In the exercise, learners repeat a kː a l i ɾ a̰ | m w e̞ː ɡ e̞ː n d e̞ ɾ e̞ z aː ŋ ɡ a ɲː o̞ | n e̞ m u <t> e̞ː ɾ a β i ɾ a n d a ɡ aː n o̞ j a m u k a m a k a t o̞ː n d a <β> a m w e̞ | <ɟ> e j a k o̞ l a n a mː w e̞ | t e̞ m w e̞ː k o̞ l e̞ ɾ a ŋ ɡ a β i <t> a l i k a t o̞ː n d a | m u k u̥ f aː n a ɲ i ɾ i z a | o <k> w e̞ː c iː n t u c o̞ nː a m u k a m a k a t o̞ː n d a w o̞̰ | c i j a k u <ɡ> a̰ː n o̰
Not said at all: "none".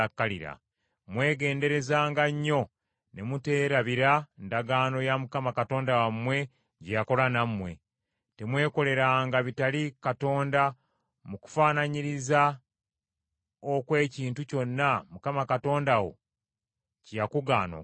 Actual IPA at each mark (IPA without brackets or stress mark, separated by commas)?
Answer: t, w, ɟ, t, k, ɡ